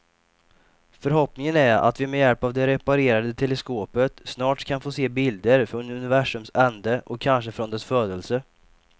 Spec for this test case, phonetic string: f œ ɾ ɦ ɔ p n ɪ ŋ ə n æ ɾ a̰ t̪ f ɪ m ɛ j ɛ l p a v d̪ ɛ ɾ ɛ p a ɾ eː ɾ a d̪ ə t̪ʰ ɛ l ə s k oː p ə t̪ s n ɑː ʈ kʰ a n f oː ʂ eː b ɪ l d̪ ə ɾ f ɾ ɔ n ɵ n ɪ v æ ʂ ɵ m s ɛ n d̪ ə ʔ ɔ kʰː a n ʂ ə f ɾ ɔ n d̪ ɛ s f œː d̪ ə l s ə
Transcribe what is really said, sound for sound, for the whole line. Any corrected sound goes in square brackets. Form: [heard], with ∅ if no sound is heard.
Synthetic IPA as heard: f œ ɾ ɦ ɔ p n ɪ ŋ ə n æ ɾ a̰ t̪ [v] ɪ m ɛ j ɛ l p a v d̪ ɛ ɾ ɛ p a ɾ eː ɾ a d̪ ə t̪ʰ ɛ l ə s k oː p ə t̪ s n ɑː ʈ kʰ a n f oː [s] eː b ɪ l d̪ ə ɾ f ɾ ɔ n ɵ n ɪ v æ ʂ ɵ m s ɛ n d̪ ə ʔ ɔ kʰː a n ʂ ə f ɾ ɔ n d̪ ɛ s f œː d̪ ə l s ə